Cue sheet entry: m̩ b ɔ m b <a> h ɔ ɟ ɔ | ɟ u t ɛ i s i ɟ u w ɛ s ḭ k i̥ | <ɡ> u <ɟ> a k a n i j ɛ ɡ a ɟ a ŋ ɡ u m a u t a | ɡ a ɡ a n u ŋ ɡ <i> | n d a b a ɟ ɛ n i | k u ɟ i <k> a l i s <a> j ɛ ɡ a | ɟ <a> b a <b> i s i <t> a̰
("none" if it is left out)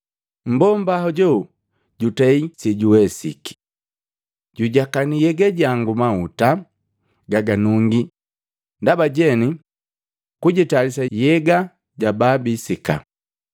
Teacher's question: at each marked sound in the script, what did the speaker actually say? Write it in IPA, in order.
a, ɟ, ɟ, i, t, a, a, b, k

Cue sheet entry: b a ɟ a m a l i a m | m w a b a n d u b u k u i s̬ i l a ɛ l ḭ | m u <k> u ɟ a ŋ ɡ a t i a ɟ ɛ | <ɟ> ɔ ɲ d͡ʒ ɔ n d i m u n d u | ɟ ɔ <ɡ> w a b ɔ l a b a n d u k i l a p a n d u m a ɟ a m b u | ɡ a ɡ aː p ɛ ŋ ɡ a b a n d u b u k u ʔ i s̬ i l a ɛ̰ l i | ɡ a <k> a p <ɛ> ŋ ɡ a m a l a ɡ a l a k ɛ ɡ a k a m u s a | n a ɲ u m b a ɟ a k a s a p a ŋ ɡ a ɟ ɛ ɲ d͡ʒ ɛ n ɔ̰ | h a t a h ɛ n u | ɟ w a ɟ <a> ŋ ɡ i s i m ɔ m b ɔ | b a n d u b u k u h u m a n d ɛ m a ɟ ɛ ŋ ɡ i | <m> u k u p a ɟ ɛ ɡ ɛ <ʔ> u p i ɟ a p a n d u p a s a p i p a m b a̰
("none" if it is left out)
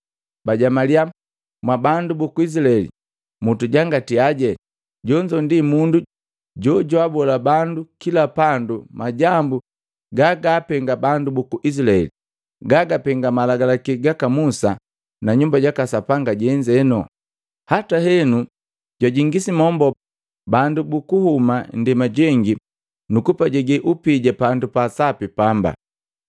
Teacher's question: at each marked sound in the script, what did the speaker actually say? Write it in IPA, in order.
t, ɟ, ɟ, ɡ, ɛ, i, n, ʔ

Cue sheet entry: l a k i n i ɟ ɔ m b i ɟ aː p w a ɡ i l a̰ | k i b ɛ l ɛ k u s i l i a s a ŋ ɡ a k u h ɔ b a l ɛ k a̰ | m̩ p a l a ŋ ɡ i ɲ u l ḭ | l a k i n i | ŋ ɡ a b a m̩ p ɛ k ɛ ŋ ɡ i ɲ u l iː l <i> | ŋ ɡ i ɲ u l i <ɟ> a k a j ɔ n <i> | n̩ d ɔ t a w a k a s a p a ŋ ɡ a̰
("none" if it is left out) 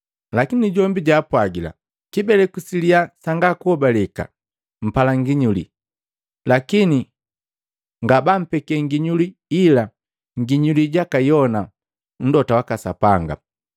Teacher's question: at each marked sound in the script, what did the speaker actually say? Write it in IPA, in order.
a, ɟ, a

